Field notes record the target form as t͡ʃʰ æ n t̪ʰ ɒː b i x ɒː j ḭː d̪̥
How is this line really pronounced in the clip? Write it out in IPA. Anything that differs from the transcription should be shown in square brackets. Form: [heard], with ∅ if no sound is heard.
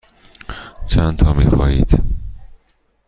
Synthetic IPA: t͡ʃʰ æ n t̪ʰ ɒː [m] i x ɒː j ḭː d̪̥